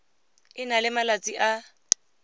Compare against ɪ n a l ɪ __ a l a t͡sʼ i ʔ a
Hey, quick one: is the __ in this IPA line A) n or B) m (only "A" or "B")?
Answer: B